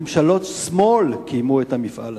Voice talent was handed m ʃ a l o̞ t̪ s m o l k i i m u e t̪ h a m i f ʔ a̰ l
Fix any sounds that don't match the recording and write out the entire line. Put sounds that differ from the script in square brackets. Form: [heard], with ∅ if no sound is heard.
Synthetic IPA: m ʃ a l o̞ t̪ s m o l k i [j] m u e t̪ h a m i f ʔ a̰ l